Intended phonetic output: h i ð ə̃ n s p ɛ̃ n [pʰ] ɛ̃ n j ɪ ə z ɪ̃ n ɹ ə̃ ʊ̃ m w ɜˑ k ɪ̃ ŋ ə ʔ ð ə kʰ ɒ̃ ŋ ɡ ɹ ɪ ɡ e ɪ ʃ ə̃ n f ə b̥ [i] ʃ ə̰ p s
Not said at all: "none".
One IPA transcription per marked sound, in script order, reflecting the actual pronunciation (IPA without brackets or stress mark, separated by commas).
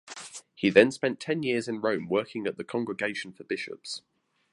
tʰ, ɪ